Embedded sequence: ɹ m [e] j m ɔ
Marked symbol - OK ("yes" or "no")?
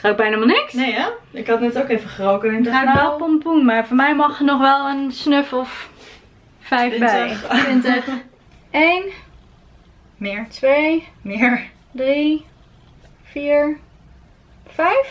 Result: no